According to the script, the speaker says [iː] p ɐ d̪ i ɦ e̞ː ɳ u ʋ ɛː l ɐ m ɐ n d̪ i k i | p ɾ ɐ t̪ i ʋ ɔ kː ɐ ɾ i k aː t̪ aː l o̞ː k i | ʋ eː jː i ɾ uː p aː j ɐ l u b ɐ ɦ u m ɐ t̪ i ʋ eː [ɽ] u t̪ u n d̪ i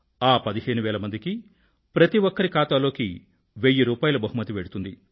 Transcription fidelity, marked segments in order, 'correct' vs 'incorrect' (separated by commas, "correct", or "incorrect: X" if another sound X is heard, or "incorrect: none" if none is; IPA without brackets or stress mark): incorrect: aː, correct